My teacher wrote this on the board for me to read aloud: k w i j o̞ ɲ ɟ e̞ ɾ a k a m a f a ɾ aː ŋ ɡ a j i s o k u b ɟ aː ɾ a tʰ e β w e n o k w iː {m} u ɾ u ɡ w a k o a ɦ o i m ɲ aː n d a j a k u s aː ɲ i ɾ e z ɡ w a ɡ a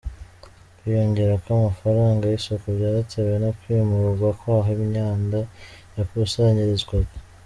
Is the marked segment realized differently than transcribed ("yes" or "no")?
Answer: no